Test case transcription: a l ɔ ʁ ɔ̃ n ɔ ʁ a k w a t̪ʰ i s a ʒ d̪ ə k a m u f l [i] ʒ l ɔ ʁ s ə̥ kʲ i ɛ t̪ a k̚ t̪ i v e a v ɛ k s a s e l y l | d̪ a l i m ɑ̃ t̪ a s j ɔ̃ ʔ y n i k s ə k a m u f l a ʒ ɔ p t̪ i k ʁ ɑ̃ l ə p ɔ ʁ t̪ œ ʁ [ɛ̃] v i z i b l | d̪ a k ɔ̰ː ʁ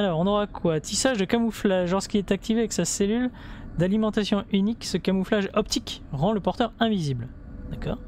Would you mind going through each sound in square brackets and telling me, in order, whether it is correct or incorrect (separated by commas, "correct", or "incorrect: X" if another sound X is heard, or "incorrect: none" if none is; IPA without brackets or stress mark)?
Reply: incorrect: a, correct